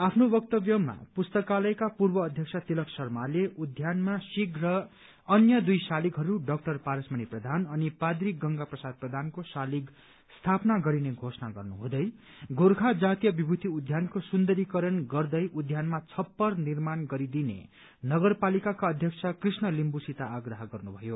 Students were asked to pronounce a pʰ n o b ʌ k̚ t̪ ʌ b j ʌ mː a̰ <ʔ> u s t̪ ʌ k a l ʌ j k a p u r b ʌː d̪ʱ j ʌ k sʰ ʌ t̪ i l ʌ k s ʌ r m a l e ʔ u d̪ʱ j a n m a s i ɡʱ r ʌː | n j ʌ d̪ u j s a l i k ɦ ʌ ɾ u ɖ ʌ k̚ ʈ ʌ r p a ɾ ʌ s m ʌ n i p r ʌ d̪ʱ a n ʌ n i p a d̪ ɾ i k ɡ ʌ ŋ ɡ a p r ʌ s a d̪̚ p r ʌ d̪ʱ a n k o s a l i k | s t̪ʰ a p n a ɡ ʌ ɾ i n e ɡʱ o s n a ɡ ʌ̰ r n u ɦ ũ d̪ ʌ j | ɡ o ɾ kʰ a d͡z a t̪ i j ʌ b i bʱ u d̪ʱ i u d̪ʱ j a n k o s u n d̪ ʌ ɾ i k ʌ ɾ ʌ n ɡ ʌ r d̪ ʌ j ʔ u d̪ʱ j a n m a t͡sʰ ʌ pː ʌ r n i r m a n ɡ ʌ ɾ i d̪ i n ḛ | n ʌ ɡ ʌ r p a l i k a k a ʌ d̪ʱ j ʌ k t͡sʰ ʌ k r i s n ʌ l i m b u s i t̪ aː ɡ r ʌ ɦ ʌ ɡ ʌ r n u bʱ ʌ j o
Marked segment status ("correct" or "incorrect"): incorrect